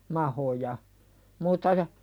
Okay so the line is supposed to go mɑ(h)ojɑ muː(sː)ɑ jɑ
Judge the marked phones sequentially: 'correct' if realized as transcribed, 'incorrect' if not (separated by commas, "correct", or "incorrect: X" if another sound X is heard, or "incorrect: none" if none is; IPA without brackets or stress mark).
correct, incorrect: tː